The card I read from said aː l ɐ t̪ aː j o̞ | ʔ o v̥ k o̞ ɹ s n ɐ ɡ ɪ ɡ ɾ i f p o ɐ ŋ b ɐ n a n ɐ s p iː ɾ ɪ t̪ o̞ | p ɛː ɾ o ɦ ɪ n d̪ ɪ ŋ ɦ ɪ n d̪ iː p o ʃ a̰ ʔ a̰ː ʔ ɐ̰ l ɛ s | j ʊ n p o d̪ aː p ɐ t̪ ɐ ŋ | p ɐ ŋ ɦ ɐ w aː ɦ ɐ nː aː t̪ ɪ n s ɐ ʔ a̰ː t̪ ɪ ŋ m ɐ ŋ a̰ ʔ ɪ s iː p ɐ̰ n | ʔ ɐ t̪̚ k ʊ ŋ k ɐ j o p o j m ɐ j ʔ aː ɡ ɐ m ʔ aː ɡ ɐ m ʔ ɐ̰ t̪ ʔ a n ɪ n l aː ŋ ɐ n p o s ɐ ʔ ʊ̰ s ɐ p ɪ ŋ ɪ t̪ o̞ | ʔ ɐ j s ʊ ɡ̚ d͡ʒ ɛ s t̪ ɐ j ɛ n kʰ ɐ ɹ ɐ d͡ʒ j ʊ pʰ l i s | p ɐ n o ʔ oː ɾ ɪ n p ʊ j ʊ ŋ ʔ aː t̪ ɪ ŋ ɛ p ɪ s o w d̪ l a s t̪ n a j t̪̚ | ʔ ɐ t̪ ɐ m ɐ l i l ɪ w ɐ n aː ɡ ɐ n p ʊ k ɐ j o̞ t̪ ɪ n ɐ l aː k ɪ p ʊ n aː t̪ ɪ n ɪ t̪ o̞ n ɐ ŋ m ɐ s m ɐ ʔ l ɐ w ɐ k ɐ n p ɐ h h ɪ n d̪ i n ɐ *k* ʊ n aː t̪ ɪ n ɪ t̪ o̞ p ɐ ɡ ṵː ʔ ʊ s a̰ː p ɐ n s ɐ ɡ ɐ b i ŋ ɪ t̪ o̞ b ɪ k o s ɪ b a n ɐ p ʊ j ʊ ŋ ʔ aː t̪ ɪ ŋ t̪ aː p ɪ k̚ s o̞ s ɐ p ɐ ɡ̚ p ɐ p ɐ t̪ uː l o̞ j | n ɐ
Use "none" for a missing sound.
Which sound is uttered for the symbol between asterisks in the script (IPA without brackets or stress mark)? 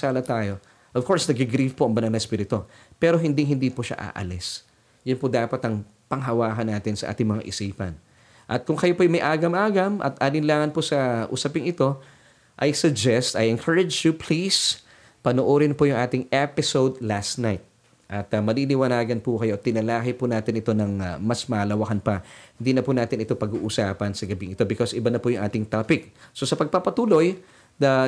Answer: p